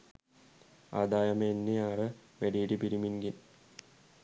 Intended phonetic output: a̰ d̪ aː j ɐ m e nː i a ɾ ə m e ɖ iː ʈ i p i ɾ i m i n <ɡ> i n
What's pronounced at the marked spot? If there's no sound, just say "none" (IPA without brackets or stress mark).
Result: ɡ